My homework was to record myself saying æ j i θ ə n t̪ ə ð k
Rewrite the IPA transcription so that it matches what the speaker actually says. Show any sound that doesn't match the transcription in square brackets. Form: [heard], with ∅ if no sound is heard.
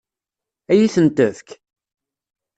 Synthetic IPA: æ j i θ ə n t̪ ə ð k